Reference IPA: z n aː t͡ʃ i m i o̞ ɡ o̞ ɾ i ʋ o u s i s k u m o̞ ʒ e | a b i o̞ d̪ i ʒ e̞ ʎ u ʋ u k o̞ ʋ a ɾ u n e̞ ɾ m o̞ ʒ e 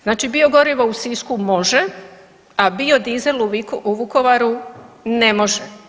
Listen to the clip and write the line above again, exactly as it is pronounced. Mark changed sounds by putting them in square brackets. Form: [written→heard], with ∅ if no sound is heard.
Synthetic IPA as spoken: z n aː t͡ʃ i [m→b] i o̞ ɡ o̞ ɾ i ʋ o u s i s k u m o̞ ʒ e | a b i o̞ d̪ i [ʒ→z] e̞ [ʎ→l] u ʋ u k o̞ ʋ a ɾ u n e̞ [ɾ→∅] m o̞ ʒ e

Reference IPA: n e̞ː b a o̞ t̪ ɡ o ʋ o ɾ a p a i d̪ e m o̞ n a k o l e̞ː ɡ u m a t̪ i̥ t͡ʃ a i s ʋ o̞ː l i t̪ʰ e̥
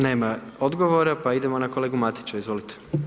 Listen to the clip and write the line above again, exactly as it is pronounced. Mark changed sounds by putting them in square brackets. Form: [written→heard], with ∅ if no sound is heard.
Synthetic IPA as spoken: n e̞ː [b→m] a o̞ [t̪→d̪] ɡ o ʋ o ɾ a p a i d̪ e m o̞ n a k o l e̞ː ɡ u m a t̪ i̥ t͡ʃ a i [s→z] ʋ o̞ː l i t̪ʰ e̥

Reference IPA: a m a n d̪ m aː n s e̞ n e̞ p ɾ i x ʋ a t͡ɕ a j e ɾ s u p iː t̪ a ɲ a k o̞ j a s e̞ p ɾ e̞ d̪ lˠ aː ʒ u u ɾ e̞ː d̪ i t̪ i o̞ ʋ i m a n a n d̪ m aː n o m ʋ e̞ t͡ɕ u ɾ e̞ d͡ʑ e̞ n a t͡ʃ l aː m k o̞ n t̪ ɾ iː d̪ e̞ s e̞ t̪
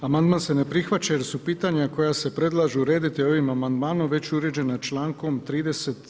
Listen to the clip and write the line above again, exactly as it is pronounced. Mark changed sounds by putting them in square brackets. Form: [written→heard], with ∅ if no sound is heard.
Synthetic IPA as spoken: a m a n d̪ m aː n s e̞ n e̞ p ɾ i x ʋ a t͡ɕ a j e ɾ s u p iː t̪ a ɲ a k o̞ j a s e̞ p ɾ e̞ d̪ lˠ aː ʒ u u ɾ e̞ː d̪ i t̪ i o̞ ʋ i m a [n→m] a n d̪ m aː n o m ʋ e̞ t͡ɕ u ɾ e̞ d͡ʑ e̞ n a t͡ʃ l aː [m→ŋ] k o̞ [n→m] t̪ ɾ iː d̪ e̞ s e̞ t̪

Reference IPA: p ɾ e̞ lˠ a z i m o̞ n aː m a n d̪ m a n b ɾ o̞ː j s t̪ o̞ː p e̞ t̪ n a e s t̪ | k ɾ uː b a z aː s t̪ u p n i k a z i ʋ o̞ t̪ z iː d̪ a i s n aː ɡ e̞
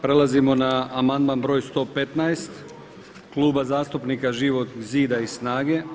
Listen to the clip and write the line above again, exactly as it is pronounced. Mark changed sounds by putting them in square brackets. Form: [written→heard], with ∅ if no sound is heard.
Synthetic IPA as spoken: p ɾ e̞ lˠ a z i m o̞ n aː m a n d̪ m a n b ɾ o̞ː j s t̪ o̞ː p e̞ t̪ n a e s t̪ | k [ɾ→l] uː b a z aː s t̪ u p n i k a [z→ʒ] i ʋ o̞ t̪ z iː d̪ a i s n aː ɡ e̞

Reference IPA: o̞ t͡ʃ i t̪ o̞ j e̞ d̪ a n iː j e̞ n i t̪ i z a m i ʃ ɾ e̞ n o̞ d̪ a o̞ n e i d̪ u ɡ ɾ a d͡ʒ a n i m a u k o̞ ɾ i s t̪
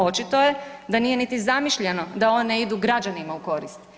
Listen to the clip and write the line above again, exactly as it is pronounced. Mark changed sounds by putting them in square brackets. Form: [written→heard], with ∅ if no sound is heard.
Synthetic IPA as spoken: o̞ t͡ʃ i t̪ o̞ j e̞ d̪ a n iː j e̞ n i t̪ i z a m i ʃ [ɾ→ʎ] e̞ n o̞ d̪ a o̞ n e i d̪ u ɡ ɾ a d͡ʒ a n i m a u k o̞ ɾ i s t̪

